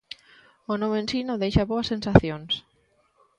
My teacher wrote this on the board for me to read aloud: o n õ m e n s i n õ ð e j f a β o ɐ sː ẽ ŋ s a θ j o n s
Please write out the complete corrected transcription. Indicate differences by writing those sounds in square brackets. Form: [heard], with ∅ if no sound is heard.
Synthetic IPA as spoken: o n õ m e n s i n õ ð e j [ʃ] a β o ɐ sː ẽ [n] s a θ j o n s

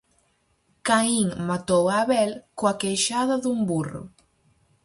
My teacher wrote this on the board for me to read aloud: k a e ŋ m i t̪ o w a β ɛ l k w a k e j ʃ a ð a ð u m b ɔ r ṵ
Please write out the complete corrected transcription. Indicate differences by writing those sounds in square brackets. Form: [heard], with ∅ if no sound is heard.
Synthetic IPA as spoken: k a [i] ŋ m [a] t̪ o w a β ɛ l k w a k e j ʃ a ð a ð u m b [u] r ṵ

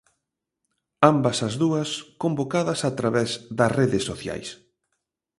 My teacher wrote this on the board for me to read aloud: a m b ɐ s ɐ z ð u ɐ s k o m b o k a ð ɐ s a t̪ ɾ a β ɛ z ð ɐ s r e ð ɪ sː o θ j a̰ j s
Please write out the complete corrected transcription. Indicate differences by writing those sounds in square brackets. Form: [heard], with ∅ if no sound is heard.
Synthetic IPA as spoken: a m b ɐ s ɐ z ð u ɐ s k o m b o k a ð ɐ s a t̪ ɾ a β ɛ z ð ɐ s r e ð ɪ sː o θ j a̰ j s

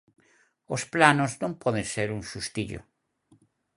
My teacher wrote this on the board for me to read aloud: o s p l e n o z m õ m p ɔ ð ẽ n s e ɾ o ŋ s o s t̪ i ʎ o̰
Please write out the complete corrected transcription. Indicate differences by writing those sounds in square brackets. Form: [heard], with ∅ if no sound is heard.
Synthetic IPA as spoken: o s p l [a] n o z [n] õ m p ɔ ð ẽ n s e ɾ [u] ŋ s [u] s t̪ i ʎ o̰

